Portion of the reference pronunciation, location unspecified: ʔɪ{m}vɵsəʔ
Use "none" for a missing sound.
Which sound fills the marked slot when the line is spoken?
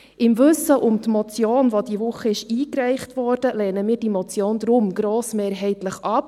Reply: m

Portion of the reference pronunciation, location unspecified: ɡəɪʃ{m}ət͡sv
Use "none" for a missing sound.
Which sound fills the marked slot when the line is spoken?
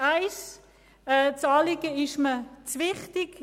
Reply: m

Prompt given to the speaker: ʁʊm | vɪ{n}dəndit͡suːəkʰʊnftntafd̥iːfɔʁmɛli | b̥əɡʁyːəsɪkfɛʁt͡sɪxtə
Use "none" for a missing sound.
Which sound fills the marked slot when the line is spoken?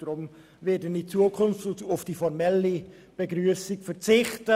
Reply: none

